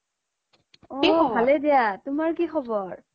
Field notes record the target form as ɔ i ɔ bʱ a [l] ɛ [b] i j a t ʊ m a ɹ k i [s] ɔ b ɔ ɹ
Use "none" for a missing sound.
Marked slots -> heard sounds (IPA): l, d, x

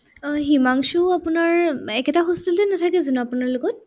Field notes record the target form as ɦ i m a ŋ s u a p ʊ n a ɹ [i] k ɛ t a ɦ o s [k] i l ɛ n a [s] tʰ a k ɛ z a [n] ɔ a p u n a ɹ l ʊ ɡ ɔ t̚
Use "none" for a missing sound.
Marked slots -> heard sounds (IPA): ɛ, t, none, n

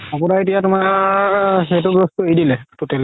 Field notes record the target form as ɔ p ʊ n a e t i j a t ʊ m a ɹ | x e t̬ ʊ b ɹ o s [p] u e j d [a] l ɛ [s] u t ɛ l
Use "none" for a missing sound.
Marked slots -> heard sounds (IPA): t, i, t

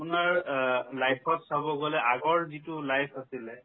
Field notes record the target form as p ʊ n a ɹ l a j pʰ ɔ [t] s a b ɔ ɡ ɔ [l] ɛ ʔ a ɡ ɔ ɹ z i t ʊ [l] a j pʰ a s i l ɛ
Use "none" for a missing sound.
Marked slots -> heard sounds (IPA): t, l, l

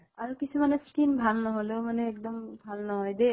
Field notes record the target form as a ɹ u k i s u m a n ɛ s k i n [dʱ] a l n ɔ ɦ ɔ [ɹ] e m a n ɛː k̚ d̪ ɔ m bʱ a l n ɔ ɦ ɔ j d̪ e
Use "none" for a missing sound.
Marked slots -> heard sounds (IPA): bʱ, l

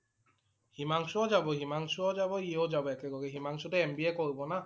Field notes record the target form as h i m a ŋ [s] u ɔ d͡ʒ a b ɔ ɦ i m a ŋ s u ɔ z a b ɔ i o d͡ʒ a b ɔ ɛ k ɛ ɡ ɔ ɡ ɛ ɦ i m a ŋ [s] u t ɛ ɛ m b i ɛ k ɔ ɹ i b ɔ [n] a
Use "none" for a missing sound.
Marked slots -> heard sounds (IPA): s, s, n

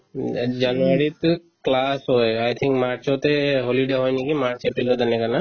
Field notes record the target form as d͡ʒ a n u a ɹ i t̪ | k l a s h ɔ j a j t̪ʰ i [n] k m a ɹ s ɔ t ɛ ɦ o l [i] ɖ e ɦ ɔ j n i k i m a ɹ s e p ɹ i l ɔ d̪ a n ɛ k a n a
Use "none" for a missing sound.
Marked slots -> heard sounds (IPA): ŋ, i

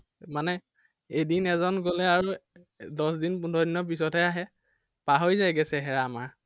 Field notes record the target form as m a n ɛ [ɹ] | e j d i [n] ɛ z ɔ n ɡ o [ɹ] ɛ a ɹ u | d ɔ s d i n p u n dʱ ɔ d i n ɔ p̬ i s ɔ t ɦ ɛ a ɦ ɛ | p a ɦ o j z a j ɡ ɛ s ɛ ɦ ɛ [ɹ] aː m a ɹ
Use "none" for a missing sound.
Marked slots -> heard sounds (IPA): none, n, l, ɹ

